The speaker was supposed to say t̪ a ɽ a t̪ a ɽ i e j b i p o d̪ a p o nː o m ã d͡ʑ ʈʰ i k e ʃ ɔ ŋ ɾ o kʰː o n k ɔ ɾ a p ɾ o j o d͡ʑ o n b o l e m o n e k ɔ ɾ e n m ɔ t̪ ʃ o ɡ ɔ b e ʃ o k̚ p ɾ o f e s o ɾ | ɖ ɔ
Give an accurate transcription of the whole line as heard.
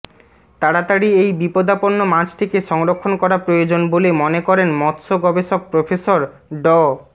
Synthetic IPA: t̪ a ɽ a t̪ a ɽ i e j b i p o d̪ a p o nː o m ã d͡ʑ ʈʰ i k e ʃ ɔ ŋ ɾ o kʰː o n k ɔ ɾ a p ɾ o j o d͡ʑ o n b o l e m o n e k ɔ ɾ e n m ɔ t̪ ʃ o ɡ ɔ b e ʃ o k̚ p ɾ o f e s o ɾ | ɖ ɔ